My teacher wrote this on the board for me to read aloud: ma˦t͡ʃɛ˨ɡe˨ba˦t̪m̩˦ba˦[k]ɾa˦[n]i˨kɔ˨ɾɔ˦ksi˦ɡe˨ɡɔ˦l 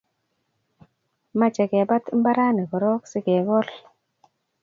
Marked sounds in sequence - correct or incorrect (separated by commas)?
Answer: incorrect, correct